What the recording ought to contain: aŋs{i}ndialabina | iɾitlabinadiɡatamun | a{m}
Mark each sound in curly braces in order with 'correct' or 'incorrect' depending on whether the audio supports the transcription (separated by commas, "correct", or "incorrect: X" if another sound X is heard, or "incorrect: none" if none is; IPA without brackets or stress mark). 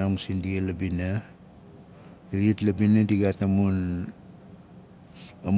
correct, correct